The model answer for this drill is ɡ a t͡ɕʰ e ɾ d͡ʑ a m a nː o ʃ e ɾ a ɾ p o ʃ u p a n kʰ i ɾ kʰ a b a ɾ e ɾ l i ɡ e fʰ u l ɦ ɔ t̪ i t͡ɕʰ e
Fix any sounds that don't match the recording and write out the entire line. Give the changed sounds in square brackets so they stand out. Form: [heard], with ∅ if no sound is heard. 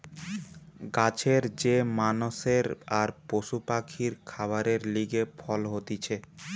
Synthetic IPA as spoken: ɡ a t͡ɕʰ e ɾ d͡ʑ [e] m a [n] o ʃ e ɾ a ɾ p o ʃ u p a [∅] kʰ i ɾ kʰ a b a ɾ e ɾ l i ɡ e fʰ [ɔ] l ɦ [o] t̪ i t͡ɕʰ e

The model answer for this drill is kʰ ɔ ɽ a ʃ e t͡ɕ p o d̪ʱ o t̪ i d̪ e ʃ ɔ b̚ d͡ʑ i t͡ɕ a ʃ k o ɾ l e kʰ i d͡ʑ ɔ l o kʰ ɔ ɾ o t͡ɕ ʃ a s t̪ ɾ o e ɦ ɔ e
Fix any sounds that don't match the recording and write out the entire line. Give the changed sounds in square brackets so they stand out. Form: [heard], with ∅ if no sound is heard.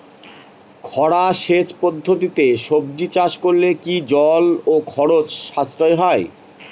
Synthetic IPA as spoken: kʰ ɔ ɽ a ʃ e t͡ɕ p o [d̪ʱː] o t̪ i [t̪] e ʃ [o] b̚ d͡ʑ i t͡ɕ a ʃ k o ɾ l e [k] i d͡ʑ ɔ l o kʰ ɔ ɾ o t͡ɕ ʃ a s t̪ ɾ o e ɦ ɔ e

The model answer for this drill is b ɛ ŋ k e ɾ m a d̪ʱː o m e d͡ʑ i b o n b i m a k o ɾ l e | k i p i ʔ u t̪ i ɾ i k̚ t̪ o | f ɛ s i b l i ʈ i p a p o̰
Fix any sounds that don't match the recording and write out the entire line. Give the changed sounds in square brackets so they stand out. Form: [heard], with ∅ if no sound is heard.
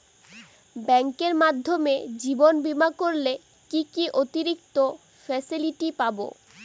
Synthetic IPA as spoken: b ɛ ŋ k e ɾ m a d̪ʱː o m e d͡ʑ i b o n b i m a k o ɾ l e | k i [k] i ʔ [o] t̪ i ɾ i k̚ t̪ o | f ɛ s i [∅] l i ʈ i p a [b] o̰

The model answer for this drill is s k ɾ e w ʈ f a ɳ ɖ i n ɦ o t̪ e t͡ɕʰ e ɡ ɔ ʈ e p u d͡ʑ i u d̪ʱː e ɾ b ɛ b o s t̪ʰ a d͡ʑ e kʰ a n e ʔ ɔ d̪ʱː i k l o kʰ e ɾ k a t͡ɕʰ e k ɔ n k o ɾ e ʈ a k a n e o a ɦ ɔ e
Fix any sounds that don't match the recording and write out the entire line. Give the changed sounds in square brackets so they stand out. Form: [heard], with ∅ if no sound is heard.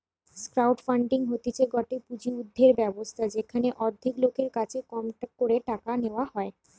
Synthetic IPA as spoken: s k ɾ [a] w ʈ f a ɳ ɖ i [ŋ] ɦ o t̪ [i] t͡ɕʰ e ɡ ɔ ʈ e p u d͡ʑ i u d̪ʱː e ɾ b ɛ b o s t̪ʰ a d͡ʑ e kʰ a n e ʔ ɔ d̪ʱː i k l o [k] e ɾ k a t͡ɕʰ e k ɔ [m] k o ɾ e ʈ a k a n e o a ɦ ɔ e

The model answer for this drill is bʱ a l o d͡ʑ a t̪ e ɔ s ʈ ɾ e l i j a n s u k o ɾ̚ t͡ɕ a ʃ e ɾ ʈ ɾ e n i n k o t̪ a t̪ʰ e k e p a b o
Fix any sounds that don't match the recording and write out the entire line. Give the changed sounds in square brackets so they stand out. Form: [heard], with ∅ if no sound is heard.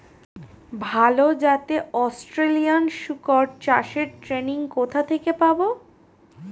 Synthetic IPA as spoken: bʱ a l o d͡ʑ a t̪ e ɔ s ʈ ɾ e l i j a n [ʃ] u k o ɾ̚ t͡ɕ a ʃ e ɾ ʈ ɾ e n i [ŋ] k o [t̪ʰ] a t̪ʰ e k e p a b o

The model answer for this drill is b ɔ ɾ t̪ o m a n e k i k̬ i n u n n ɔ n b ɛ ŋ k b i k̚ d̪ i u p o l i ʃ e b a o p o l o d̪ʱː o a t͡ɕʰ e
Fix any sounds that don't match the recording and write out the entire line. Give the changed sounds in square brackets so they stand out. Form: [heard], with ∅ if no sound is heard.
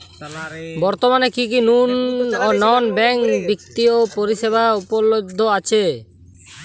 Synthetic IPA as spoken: b ɔ ɾ t̪ o m a n e k i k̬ i n u n n ɔ n b ɛ ŋ k b i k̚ [t̪] i [o] p o [ɾ] i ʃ e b a [u] p o l o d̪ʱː o a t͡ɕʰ e

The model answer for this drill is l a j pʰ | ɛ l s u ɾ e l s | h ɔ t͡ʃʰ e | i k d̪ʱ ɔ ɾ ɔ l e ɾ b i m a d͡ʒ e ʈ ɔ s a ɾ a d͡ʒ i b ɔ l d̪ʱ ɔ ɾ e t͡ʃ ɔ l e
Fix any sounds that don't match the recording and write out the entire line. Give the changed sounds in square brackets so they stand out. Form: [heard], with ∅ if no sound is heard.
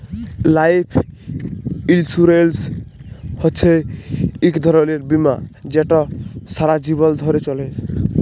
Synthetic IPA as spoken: l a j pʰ | [i] l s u ɾ e l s | h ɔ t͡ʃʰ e | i k d̪ʱ ɔ ɾ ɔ l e ɾ b i m a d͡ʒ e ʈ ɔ s a ɾ a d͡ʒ i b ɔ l d̪ʱ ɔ ɾ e t͡ʃ ɔ l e

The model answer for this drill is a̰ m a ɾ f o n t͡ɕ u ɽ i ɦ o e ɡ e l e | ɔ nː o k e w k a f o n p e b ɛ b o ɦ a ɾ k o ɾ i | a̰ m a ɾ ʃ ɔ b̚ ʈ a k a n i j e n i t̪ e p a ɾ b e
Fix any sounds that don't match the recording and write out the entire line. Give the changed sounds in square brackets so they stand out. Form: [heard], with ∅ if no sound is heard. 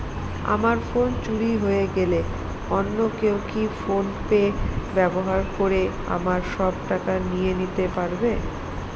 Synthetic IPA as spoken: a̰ m a ɾ f o n t͡ɕ u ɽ i ɦ o e ɡ e l e | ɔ nː o k e w k [i] f o n p e b ɛ b o ɦ a ɾ k o ɾ [e] | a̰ m a ɾ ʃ ɔ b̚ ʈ a k a n i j e n i t̪ e p a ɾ b e

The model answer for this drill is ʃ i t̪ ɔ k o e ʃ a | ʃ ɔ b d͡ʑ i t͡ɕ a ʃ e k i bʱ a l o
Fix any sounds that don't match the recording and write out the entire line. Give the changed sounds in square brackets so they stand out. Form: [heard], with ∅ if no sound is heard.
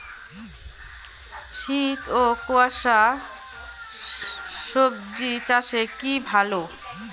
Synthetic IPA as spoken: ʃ i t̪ [o] k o [a] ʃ a | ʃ [o] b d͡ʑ i t͡ɕ a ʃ e k i bʱ a l o

